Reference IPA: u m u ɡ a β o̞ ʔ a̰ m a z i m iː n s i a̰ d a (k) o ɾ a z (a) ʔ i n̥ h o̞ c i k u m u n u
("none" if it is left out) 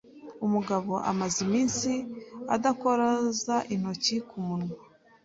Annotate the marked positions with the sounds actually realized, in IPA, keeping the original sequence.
k, a

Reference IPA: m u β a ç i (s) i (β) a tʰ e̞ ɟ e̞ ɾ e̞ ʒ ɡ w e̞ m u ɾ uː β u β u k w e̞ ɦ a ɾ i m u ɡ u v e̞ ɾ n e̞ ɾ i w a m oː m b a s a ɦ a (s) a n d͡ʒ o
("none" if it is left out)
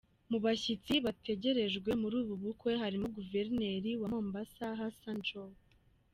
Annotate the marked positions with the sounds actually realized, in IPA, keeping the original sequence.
t͡s, β, s

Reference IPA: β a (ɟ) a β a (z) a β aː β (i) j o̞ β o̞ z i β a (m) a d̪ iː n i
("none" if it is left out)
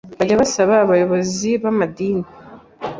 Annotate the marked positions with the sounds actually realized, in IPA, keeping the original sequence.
ɟ, s, a, m

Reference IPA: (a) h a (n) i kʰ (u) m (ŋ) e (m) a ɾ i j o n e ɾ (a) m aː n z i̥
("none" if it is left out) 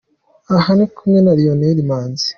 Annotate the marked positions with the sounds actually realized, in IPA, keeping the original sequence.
a, n, u, ɲ, n, i

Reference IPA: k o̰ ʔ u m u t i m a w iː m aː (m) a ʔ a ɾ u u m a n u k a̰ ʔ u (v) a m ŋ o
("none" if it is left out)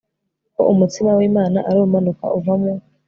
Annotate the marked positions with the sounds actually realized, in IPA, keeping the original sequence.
n, v

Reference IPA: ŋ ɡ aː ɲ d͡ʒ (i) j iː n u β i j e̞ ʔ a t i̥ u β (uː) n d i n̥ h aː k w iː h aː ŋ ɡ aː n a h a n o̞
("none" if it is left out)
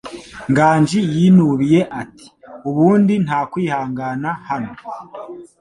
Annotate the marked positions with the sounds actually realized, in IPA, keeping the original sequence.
i, uː

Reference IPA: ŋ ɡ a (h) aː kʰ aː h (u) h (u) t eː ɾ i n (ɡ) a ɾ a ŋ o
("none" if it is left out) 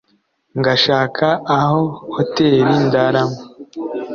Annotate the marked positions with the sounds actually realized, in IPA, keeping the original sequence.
ʃ, o, o, d

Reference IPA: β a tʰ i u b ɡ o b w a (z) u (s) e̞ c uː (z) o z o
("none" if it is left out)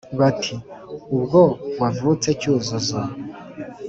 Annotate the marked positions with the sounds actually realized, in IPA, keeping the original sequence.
v, t͡s, z

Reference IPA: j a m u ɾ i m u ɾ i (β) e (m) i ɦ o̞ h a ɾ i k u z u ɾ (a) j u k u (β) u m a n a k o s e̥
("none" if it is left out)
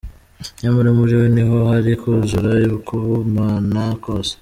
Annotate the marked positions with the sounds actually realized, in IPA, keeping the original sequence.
w, n, a, β

